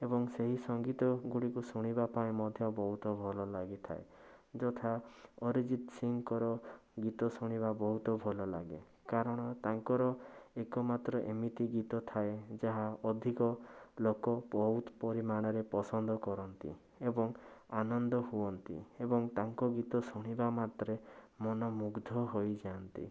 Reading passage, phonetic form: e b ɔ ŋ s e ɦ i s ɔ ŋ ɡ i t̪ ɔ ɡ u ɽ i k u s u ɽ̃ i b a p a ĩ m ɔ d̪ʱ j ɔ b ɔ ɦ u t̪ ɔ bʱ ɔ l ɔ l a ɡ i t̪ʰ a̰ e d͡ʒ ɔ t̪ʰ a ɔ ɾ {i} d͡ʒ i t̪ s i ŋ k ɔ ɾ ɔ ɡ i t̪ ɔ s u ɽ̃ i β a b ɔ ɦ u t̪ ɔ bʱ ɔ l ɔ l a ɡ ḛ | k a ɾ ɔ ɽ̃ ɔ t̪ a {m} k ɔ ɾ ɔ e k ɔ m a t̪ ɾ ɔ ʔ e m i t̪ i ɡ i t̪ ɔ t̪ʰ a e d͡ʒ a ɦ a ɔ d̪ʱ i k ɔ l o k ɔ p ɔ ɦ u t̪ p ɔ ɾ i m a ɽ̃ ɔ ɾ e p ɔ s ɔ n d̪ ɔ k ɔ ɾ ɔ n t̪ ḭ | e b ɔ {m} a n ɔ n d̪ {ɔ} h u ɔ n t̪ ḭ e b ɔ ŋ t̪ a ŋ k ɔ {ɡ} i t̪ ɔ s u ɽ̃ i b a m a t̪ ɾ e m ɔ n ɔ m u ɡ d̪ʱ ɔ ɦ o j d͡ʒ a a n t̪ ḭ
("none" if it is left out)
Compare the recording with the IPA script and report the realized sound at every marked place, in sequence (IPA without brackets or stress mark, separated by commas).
i, ŋ, ŋ, ɔ, ɡ